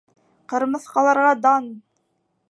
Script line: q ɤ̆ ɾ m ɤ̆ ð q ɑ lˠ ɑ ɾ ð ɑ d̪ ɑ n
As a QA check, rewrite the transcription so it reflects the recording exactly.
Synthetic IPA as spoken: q ɤ̆ ɾ m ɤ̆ θ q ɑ lˠ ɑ ɾ ʁ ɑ d̪ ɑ n